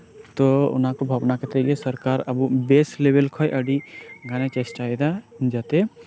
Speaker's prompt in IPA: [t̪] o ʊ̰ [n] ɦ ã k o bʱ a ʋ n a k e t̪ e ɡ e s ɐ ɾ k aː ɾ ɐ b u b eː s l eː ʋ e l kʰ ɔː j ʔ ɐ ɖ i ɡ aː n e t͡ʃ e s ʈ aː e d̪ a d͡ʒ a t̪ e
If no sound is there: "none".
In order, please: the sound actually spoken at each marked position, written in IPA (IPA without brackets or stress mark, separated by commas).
t̪, n